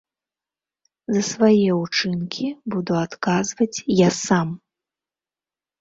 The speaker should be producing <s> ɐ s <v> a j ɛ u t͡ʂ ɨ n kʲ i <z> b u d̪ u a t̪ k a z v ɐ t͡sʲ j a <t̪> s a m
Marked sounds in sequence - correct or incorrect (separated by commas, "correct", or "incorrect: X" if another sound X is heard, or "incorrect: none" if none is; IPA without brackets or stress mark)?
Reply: incorrect: z, correct, incorrect: none, incorrect: none